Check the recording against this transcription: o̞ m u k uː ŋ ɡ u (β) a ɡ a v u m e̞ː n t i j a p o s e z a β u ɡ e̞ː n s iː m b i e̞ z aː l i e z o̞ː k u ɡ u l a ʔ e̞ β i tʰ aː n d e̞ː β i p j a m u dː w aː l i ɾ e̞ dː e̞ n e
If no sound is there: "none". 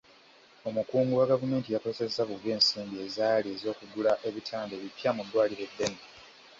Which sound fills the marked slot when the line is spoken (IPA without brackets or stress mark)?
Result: w